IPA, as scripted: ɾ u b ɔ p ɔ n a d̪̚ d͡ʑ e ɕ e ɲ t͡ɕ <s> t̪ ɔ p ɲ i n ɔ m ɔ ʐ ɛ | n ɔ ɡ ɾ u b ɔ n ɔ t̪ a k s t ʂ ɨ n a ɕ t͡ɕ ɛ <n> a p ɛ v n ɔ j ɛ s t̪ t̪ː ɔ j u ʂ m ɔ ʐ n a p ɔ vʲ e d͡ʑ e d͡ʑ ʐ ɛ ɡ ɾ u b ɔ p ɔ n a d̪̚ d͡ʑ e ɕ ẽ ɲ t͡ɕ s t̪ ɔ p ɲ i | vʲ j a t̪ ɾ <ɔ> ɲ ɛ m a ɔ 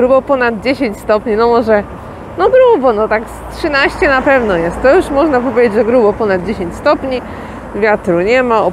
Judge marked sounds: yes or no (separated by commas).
yes, yes, no